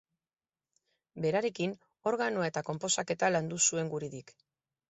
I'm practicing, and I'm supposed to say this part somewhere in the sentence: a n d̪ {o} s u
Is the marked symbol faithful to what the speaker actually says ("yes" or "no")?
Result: no